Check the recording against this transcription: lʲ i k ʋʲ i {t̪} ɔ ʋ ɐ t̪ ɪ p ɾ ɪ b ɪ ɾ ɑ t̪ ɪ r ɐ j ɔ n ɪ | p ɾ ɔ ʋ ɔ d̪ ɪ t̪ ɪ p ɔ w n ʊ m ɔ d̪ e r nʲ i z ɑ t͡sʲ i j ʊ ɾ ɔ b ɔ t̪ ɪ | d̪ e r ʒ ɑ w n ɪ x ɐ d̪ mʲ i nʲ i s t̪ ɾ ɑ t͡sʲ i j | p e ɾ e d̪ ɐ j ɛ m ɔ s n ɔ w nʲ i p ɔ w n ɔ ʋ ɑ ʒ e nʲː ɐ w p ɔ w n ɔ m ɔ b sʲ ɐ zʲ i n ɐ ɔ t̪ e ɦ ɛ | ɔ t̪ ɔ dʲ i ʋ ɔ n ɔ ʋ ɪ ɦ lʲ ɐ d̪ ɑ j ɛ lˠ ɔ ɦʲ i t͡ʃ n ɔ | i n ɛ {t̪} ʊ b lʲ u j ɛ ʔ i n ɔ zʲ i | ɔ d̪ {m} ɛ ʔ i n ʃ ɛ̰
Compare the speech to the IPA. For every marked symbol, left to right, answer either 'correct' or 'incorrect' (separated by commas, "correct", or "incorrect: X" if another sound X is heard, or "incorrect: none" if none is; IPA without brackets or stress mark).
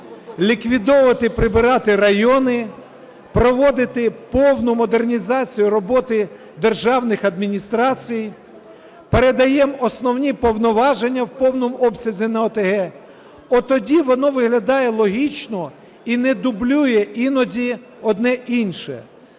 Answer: incorrect: d̪, incorrect: d̪, incorrect: n